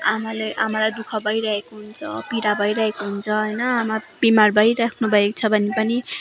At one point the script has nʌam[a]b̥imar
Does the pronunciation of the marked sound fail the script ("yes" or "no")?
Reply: no